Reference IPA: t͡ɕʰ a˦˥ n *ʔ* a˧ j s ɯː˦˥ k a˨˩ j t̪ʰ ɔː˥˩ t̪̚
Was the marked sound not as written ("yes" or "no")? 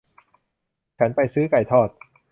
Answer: yes